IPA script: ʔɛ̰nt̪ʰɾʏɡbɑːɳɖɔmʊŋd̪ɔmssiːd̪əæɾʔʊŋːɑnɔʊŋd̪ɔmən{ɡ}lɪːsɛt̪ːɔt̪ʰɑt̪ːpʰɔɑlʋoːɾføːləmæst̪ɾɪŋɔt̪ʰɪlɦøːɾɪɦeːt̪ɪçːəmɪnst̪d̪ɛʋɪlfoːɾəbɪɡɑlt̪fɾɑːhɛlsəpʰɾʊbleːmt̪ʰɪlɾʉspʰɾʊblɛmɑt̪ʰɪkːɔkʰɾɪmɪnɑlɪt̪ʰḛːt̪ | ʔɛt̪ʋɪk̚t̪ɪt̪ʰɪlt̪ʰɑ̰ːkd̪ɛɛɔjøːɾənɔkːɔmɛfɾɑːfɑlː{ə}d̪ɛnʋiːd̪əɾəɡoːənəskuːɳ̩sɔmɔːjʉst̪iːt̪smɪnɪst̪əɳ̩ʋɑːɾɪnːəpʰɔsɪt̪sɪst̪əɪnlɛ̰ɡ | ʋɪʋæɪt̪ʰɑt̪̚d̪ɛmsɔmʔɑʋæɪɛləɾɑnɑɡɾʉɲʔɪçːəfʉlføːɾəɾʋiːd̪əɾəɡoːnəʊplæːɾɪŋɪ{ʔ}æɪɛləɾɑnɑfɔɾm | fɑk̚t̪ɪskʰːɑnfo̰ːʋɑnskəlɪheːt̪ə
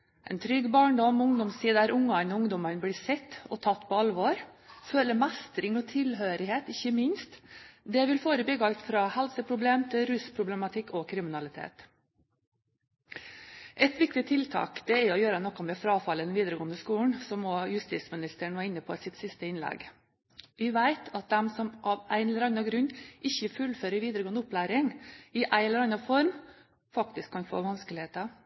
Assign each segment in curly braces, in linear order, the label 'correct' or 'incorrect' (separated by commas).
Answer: incorrect, correct, correct